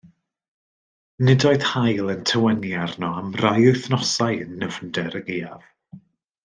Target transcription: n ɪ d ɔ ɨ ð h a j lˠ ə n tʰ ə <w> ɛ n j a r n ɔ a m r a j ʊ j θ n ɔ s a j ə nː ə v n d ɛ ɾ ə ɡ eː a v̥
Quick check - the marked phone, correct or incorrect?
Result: correct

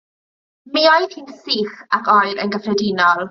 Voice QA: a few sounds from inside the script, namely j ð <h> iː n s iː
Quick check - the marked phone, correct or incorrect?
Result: correct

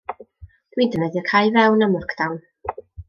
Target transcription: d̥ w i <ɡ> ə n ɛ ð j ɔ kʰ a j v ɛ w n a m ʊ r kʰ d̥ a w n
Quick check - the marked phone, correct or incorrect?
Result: incorrect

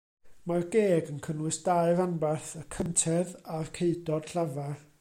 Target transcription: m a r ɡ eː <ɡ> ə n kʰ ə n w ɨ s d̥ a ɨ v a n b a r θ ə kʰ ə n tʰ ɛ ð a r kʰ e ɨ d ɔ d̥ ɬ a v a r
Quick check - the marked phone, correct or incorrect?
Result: correct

